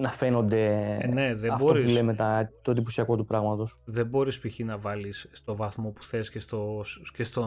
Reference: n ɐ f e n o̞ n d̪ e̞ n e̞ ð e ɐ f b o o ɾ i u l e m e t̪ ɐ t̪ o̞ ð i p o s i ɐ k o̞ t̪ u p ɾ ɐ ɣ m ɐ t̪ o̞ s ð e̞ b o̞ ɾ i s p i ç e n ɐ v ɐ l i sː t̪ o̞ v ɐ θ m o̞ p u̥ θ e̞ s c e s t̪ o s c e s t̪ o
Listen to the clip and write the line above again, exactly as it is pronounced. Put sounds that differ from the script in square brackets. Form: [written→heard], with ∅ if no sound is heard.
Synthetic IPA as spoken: n ɐ f e n o̞ n d̪ e̞ n e̞ ð e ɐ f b o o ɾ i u l e m e t̪ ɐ t̪ o̞ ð i p o s i ɐ k o̞ t̪ u p ɾ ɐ ɣ m ɐ t̪ o̞ s ð e̞ b o̞ ɾ i s p i ç [e→i] n ɐ v ɐ l i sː t̪ o̞ v ɐ θ m o̞ p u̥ θ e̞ s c e s t̪ o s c e s t̪ o